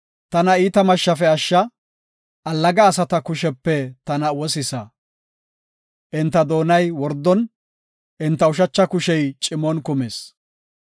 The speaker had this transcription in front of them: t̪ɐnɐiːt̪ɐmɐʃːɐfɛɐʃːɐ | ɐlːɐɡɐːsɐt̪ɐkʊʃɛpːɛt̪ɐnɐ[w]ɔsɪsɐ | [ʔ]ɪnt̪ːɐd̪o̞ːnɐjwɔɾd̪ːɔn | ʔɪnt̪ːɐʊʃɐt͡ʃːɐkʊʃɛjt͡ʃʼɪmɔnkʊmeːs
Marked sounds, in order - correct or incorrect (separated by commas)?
correct, correct